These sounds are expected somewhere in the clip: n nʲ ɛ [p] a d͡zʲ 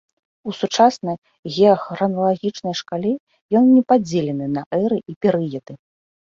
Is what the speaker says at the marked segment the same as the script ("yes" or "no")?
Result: yes